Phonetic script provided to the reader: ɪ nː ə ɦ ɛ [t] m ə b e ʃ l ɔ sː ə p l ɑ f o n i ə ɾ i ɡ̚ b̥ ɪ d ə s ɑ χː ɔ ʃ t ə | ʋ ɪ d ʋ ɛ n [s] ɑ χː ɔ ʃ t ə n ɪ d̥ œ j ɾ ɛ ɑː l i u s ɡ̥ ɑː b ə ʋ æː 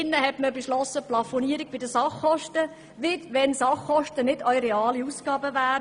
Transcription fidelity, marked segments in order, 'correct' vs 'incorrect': correct, correct

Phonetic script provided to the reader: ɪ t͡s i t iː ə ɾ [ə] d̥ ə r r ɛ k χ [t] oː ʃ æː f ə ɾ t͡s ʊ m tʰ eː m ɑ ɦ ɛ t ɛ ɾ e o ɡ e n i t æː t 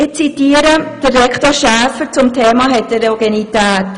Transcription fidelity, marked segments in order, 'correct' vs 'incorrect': correct, correct

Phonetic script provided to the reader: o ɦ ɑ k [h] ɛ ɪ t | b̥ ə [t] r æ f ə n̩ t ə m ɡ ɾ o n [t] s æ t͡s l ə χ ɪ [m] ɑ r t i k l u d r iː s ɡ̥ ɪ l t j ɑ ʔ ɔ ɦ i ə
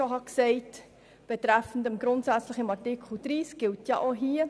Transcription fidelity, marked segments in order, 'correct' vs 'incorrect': incorrect: s, correct, correct, correct

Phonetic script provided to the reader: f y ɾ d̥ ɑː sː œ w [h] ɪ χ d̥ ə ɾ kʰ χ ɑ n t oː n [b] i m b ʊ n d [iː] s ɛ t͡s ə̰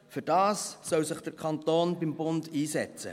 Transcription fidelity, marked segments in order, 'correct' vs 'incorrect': incorrect: s, correct, correct

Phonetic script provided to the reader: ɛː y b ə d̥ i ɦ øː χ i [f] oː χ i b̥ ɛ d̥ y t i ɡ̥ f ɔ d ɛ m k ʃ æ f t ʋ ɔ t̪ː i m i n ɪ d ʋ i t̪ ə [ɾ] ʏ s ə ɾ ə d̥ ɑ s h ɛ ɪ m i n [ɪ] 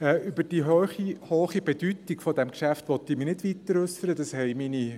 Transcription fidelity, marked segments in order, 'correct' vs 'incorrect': incorrect: h, correct, incorrect: i

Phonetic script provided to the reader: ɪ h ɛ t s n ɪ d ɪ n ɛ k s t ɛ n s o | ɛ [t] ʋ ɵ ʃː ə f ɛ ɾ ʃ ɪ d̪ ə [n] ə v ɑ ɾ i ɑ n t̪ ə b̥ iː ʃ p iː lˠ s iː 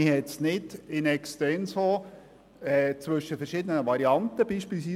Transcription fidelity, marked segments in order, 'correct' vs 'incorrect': incorrect: t͡s, correct

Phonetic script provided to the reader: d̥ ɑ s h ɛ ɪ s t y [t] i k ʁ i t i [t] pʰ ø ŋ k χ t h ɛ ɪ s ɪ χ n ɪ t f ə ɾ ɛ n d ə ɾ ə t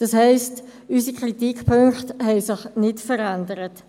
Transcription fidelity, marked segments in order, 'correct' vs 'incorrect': incorrect: s, incorrect: k

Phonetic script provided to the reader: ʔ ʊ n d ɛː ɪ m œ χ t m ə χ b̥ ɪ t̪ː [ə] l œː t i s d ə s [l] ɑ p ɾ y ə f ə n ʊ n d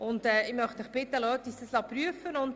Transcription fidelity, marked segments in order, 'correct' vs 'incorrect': correct, correct

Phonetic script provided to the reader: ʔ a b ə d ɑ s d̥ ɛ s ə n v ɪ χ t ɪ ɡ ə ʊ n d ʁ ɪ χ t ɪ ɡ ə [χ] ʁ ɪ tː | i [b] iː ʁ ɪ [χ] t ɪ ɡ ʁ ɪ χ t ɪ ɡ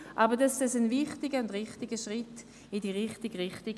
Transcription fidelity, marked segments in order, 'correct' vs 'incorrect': incorrect: ʃ, incorrect: d, correct

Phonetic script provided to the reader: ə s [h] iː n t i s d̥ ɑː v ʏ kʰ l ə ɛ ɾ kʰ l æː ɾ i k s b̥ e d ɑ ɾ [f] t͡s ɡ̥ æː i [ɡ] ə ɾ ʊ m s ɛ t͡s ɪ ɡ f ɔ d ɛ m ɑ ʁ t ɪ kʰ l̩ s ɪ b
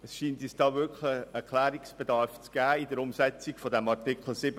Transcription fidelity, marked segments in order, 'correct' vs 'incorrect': incorrect: ʃ, correct, incorrect: d

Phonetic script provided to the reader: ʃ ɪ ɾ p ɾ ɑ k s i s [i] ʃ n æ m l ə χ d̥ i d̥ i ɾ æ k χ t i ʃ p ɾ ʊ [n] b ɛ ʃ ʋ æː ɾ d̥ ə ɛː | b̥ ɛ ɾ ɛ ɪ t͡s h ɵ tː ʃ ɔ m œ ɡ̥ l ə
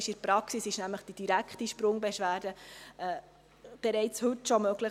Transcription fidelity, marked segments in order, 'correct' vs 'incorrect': incorrect: ɪ, incorrect: ŋ

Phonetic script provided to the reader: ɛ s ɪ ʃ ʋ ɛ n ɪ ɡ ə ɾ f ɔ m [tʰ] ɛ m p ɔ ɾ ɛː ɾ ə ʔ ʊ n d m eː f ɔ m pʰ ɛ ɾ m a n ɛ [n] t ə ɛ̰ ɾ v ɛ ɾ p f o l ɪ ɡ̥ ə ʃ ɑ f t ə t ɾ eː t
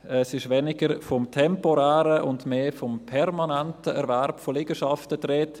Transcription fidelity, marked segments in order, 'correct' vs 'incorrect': correct, correct

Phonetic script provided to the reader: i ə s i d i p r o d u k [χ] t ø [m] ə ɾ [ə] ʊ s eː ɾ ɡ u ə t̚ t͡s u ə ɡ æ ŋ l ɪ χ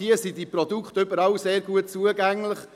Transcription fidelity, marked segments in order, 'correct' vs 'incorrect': correct, incorrect: b, incorrect: ɑ

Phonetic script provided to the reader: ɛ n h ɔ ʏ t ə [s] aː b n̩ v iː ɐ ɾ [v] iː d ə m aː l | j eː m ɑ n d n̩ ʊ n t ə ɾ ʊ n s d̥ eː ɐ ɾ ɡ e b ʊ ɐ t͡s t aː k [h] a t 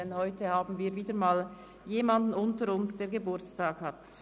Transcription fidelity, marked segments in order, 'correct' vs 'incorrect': incorrect: h, correct, correct

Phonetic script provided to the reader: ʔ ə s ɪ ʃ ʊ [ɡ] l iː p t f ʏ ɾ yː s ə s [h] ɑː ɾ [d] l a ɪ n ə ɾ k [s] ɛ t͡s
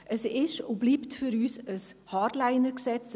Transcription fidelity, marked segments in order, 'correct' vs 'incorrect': incorrect: b, correct, correct, correct

